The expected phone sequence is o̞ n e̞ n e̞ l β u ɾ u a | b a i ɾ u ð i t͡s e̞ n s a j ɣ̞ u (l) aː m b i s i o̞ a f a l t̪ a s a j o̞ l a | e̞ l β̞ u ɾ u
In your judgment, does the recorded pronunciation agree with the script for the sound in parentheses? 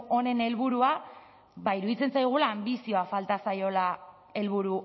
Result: yes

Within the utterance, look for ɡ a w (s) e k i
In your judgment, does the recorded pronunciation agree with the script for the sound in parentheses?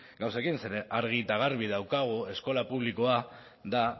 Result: yes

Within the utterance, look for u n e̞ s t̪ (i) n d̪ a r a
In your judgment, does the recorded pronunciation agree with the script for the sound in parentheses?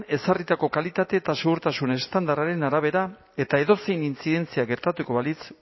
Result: no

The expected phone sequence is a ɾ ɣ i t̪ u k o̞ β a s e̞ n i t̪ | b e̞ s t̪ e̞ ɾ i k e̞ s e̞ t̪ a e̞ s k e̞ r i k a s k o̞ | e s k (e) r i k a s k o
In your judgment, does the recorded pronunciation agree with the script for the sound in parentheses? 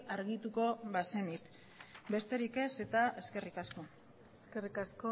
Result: yes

